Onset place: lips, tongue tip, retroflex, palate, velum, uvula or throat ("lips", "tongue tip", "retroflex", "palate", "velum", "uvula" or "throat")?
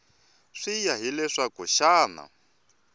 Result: retroflex